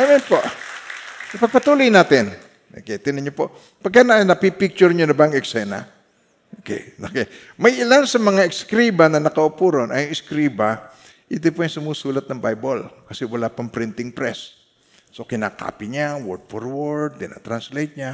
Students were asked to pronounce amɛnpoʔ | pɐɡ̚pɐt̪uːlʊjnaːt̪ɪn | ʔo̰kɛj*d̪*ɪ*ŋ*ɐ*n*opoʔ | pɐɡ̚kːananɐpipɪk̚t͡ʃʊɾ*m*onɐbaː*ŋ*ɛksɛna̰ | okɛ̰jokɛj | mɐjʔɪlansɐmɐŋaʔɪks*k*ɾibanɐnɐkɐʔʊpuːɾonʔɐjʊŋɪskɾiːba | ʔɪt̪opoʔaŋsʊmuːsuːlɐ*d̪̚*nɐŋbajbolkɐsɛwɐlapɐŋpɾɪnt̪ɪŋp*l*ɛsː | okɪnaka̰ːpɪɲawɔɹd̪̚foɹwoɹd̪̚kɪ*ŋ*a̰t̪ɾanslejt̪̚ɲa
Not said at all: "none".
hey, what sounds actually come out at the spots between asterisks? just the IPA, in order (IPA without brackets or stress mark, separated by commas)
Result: t̪, n, ɲ, ɲ, ŋ, k, t̪̚, ɾ, n